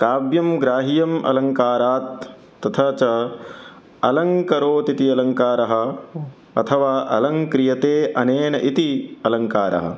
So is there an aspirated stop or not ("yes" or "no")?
yes